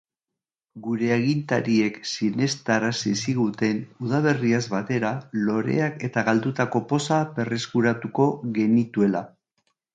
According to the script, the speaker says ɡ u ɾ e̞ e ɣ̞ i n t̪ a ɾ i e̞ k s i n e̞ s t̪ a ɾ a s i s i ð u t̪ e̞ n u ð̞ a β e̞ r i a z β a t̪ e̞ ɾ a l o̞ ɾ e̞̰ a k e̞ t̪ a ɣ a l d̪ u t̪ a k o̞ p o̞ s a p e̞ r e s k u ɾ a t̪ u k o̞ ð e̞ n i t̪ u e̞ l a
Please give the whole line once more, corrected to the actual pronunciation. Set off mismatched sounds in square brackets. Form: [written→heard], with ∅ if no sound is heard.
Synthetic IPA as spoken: ɡ u ɾ e̞ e ɣ̞ i n t̪ a ɾ i e̞ k s i n e̞ s t̪ a ɾ a s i s i [ð→ɣ] u t̪ e̞ n u ð̞ a β e̞ r i a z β a t̪ e̞ ɾ a l o̞ ɾ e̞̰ a k e̞ t̪ a ɣ a l d̪ u t̪ a k o̞ p o̞ s a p e̞ r e s k u ɾ a t̪ u k o̞ [ð→ɣ] e̞ n i t̪ u e̞ l a

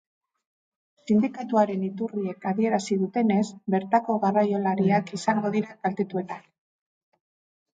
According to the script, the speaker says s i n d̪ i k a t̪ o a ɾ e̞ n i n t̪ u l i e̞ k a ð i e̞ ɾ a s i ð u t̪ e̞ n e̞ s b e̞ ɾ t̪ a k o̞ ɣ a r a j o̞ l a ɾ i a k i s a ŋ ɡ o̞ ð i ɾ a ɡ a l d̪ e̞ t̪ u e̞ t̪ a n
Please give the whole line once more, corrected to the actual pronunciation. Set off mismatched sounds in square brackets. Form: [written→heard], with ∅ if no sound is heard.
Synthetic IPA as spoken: s i n d̪ i k a t̪ [o→u] a ɾ e̞ n i [n→∅] t̪ u [l→r] i e̞ k a ð i e̞ ɾ a s i ð u t̪ e̞ n e̞ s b e̞ ɾ t̪ a k o̞ ɣ a r a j o̞ l a ɾ i a k i s a ŋ ɡ o̞ ð i ɾ a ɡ a l [d̪→t̪] e̞ t̪ u e̞ t̪ a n

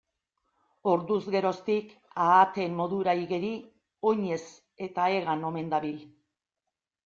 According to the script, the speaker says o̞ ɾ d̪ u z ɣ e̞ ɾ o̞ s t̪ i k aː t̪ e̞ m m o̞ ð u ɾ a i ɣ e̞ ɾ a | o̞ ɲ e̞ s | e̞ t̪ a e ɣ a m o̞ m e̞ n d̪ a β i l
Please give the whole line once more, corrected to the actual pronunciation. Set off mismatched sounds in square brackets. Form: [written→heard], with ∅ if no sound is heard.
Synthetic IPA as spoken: o̞ ɾ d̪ u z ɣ e̞ ɾ o̞ s t̪ i k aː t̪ e̞ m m o̞ ð u ɾ a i ɣ e̞ ɾ [a→i] | o̞ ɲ e̞ s | e̞ t̪ a e ɣ a [m→n] o̞ m e̞ n d̪ a β i l

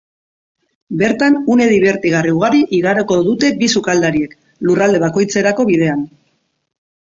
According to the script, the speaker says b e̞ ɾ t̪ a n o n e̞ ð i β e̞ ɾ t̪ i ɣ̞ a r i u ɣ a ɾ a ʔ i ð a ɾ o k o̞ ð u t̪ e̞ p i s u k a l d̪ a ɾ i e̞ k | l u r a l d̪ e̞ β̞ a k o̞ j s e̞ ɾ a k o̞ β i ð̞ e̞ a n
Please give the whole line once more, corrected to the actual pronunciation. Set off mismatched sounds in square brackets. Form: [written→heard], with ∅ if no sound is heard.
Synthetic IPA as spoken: b e̞ ɾ t̪ a n [o→u] n e̞ ð i β e̞ ɾ t̪ i ɣ̞ a r i u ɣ a ɾ [a→i] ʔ i [ð→ɣ] a ɾ o k o̞ ð u t̪ e̞ [p→b] i s u k a l d̪ a ɾ i e̞ k | l u r a l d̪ e̞ β̞ a k o̞ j [s→t͡s] e̞ ɾ a k o̞ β i ð̞ e̞ a n

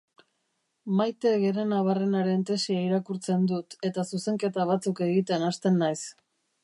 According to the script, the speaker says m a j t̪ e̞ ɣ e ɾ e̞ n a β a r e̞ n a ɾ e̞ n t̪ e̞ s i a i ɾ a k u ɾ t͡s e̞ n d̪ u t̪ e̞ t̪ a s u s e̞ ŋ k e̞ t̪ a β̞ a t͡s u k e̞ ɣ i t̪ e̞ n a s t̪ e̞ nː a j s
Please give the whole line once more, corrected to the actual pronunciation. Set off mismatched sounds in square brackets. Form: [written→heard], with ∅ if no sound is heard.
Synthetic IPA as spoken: m a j t̪ e̞ ɣ e ɾ e̞ n a β a r e̞ n a ɾ e̞ n t̪ e̞ s i a i ɾ a k u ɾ t͡s e̞ n d̪ u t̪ e̞ t̪ a s u s e̞ ŋ k e̞ t̪ a β̞ a t͡s u k e̞ ɣ i t̪ e̞ n a s t̪ e̞ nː a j s

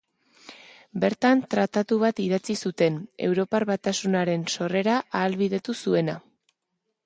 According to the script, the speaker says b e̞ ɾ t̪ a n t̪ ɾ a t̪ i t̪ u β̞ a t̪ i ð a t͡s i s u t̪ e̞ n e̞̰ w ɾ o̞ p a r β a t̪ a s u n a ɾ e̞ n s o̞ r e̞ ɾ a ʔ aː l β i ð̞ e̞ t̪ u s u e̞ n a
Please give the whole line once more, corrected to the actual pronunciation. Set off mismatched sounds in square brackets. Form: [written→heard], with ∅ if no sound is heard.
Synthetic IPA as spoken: b e̞ ɾ t̪ a n t̪ ɾ a t̪ [i→a] t̪ u β̞ a t̪ i ð a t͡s i s u t̪ e̞ n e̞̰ w ɾ o̞ p a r β a t̪ a s u n a ɾ e̞ n s o̞ r e̞ ɾ a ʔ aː l β i ð̞ e̞ t̪ u s u e̞ n a

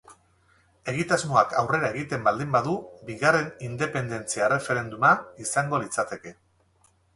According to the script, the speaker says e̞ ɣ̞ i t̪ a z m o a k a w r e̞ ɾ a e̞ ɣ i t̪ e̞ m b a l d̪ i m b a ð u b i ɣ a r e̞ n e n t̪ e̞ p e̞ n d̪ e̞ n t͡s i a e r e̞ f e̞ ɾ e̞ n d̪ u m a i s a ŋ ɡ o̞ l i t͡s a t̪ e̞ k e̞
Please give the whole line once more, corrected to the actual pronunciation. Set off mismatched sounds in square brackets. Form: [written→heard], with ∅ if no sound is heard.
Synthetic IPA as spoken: e̞ ɣ̞ i t̪ a z m o a k a w r e̞ ɾ a e̞ ɣ i t̪ e̞ m b a l d̪ i m b a ð u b i ɣ a r e̞ n [e→i] n [t̪→d̪] e̞ p e̞ n d̪ e̞ n t͡s i a e r e̞ f e̞ ɾ e̞ n d̪ u m a i s a ŋ ɡ o̞ l i t͡s a t̪ e̞ k e̞

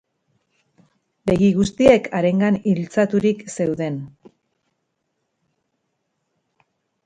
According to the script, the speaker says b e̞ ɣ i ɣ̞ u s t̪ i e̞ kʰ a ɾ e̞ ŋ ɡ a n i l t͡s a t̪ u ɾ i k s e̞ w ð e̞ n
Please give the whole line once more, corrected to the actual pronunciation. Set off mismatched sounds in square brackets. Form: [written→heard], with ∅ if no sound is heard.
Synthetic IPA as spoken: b e̞ ɣ i ɣ̞ u s t̪ i e̞ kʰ a ɾ e̞ ŋ ɡ a n i l t͡s a t̪ u ɾ i k s e̞ w ð e̞ n

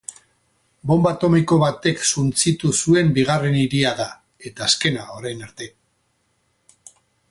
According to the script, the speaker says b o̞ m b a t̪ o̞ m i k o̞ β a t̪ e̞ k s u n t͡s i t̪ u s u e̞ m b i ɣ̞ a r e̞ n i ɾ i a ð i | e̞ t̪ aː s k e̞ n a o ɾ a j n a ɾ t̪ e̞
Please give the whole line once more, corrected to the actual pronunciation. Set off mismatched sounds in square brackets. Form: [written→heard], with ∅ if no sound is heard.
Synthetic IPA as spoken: b o̞ m b a t̪ o̞ m i k o̞ β a t̪ e̞ k s u n t͡s i t̪ u s u e̞ m b i ɣ̞ a r e̞ n i ɾ i a ð [i→a] | e̞ t̪ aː s k e̞ n a o ɾ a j n a ɾ t̪ e̞

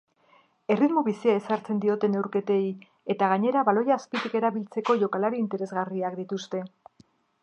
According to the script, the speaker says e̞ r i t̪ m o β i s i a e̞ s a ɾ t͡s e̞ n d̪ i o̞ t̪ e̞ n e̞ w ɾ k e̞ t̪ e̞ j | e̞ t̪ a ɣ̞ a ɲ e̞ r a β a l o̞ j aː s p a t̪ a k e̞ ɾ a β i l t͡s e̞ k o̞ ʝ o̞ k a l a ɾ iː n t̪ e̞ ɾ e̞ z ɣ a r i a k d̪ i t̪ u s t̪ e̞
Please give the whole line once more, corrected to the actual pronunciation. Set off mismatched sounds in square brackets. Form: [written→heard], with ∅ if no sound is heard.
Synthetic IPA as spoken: e̞ r i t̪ m o β i s i a e̞ s a ɾ t͡s e̞ n d̪ i o̞ t̪ e̞ n e̞ w ɾ k e̞ t̪ e̞ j | e̞ t̪ a ɣ̞ a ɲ e̞ [r→ɾ] a β a l o̞ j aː s p [a→i] t̪ [a→i] k e̞ ɾ a β i l t͡s e̞ k o̞ ʝ o̞ k a l a ɾ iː n t̪ e̞ ɾ e̞ z ɣ a r i a k d̪ i t̪ u s t̪ e̞

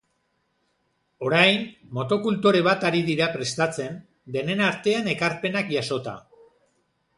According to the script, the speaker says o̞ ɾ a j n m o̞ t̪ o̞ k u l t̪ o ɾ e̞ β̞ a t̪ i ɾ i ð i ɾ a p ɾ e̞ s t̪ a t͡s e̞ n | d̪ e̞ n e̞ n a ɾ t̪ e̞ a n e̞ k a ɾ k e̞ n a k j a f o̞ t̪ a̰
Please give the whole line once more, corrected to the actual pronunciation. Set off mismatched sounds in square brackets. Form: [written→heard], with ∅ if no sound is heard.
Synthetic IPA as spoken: o̞ ɾ a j n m o̞ t̪ o̞ k u l t̪ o ɾ e̞ β̞ a t̪ [i→a] ɾ i ð i ɾ a p ɾ e̞ s t̪ a t͡s e̞ n | d̪ e̞ n e̞ n a ɾ t̪ e̞ a n e̞ k a ɾ [k→p] e̞ n a k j a [f→s] o̞ t̪ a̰

